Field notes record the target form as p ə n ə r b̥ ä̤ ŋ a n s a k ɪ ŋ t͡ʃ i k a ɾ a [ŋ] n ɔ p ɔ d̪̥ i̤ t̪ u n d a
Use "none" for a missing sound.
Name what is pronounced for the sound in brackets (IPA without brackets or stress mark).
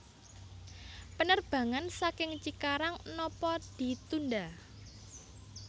ŋ